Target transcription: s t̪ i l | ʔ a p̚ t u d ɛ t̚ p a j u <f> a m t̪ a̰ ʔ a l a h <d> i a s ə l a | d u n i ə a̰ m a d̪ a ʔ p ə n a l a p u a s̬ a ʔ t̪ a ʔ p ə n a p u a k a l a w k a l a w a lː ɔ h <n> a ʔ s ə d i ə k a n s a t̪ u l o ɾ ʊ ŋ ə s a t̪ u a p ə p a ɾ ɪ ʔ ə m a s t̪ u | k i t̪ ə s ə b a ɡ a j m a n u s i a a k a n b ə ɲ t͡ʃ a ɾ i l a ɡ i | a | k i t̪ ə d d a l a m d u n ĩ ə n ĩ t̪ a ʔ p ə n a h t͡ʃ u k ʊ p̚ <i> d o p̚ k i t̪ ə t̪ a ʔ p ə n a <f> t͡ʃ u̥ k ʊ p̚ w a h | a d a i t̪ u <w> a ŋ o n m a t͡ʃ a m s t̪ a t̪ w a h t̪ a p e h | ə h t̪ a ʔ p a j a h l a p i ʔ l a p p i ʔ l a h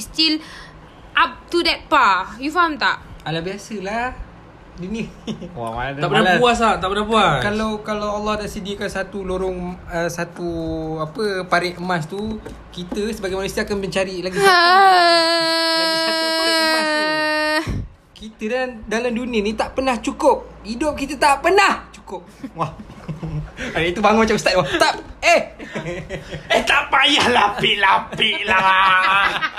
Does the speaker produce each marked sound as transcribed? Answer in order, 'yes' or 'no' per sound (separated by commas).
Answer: yes, no, no, yes, no, no